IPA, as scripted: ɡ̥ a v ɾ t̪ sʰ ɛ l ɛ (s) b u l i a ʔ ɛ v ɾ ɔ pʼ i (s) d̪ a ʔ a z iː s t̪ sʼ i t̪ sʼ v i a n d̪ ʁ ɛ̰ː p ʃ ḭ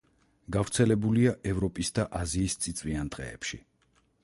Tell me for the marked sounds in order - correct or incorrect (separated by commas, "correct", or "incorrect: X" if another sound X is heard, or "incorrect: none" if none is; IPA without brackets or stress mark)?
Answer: incorrect: none, correct